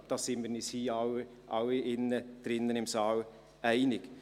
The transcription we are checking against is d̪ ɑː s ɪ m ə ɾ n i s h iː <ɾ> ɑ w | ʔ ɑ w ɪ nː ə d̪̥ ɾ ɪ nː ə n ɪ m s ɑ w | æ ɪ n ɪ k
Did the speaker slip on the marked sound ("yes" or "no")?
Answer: yes